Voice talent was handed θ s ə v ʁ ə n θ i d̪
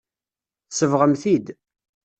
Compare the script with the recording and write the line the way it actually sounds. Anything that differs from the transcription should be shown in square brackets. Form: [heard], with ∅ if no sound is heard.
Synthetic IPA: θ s ə v ʁ ə [m] θ i d̪